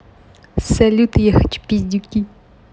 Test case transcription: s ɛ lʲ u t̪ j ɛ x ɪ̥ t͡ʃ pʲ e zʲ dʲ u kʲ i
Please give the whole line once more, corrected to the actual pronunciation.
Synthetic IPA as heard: s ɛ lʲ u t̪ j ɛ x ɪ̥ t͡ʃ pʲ i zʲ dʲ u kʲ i